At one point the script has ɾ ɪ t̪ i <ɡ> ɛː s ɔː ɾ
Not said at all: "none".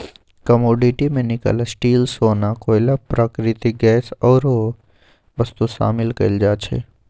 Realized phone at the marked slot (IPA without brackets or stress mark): ɡ